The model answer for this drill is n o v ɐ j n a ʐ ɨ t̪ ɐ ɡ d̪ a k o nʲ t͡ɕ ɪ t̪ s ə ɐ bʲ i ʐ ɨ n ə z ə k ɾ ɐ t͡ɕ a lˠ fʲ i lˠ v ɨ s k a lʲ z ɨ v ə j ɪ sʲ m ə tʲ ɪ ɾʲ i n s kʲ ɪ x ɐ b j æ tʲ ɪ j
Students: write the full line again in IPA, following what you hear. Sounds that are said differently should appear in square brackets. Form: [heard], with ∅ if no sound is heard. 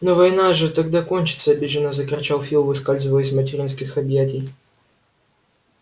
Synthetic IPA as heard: n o v ɐ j n a ʐ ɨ t̪ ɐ ɡ d̪ a k o nʲ t͡ɕ ɪ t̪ s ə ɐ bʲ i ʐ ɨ n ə z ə k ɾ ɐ t͡ɕ a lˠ fʲ i lˠ v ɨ s k a lʲ z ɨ v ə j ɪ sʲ m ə tʲ ɪ ɾʲ i n s kʲ ɪ x ɐ b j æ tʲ ɪ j